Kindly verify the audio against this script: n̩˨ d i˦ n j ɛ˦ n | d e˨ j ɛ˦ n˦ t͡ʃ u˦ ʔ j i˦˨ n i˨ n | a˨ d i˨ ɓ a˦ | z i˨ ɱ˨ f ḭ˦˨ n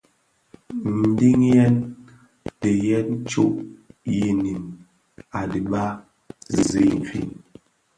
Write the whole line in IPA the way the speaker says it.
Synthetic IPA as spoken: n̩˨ d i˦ ŋ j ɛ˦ n | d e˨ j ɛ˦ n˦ t͡ʃ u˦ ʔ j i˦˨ n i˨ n | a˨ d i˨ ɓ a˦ | z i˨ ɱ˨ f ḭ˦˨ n

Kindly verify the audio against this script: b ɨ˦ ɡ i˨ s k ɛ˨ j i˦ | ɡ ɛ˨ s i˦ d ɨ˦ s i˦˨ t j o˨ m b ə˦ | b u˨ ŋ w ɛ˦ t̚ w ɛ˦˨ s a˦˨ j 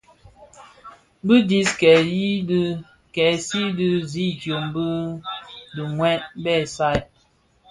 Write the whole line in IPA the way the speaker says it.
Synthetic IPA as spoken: b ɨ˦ d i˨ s k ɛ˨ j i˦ | k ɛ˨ s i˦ d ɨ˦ z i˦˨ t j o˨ m b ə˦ | d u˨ ŋ w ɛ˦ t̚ b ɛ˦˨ s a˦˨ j

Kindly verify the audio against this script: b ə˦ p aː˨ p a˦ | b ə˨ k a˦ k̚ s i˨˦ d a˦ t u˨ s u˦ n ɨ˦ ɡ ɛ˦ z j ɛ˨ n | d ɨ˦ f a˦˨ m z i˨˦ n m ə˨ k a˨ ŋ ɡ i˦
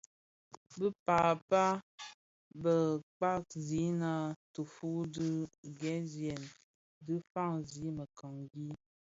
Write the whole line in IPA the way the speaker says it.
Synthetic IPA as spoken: b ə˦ p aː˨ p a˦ | b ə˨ k͡p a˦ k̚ z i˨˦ n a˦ t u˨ f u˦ d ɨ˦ ɡ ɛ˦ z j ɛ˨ n | d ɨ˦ f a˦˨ ŋ z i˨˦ m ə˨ k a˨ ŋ ɡ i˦

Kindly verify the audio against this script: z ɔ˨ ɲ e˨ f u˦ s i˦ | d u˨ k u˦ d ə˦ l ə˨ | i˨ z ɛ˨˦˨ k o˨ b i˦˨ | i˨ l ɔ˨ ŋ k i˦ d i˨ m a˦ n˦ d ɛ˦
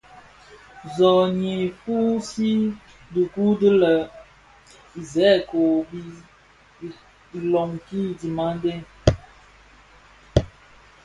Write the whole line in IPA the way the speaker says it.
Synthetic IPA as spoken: z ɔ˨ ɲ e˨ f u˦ s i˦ | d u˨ k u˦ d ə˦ l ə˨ | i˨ z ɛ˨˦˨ k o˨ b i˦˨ | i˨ l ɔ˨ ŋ k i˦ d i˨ m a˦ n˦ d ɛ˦

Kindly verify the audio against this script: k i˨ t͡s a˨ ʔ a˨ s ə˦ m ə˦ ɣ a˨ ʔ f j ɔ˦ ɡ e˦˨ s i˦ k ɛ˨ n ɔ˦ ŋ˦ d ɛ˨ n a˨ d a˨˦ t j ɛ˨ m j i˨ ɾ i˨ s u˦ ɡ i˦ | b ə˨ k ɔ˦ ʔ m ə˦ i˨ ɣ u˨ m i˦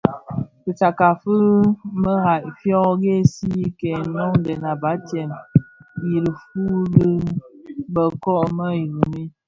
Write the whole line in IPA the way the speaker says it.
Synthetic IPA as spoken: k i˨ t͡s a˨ k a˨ f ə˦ m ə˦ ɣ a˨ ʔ f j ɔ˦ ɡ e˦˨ s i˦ k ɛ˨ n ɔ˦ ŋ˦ d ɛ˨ n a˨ b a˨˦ t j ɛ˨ m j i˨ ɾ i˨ f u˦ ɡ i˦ | b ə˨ k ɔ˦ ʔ m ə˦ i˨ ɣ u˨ m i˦

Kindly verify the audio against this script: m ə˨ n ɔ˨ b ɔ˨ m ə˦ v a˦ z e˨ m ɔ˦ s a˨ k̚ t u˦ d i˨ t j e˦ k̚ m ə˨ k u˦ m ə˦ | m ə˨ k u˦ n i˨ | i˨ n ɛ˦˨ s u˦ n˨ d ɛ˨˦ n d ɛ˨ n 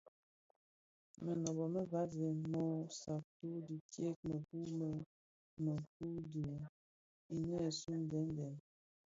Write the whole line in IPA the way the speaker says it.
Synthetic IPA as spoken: m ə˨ n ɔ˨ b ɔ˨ m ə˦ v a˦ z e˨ m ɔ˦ s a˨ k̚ t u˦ d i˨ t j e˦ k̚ m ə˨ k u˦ m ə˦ | m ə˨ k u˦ d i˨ | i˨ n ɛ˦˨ s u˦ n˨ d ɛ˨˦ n d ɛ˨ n

